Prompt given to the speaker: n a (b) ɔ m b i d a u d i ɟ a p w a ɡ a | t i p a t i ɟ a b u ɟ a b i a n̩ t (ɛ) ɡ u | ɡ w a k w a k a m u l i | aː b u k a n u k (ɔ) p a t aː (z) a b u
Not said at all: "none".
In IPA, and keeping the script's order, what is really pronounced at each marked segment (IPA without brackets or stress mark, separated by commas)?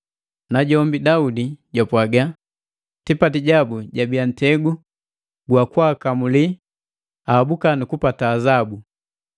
ɟ, ɛ, u, z